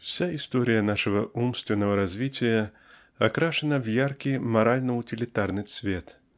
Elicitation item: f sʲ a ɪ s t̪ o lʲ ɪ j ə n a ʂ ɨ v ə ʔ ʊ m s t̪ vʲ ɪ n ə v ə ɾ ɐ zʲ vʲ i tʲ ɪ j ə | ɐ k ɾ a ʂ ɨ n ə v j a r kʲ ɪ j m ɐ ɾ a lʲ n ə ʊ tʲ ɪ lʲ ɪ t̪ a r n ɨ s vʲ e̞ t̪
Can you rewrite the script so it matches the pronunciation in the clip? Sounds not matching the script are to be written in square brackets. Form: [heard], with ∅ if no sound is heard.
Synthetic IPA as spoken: f sʲ a ɪ s t̪ o [ɾʲ] ɪ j ə n a ʂ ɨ v ə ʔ [u] m s t̪ vʲ ɪ [nː] ə v ə ɾ ɐ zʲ vʲ i tʲ ɪ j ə | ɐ k ɾ a ʂ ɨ n ə v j a r kʲ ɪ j m ɐ ɾ a lʲ n ə ʊ tʲ ɪ lʲ ɪ t̪ a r n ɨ s vʲ e̞ t̪